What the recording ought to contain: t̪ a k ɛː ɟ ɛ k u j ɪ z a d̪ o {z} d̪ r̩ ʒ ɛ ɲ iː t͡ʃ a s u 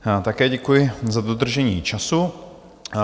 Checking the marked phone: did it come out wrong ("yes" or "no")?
yes